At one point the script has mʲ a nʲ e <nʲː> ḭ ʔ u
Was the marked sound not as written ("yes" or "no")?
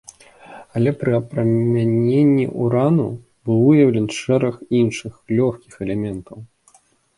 no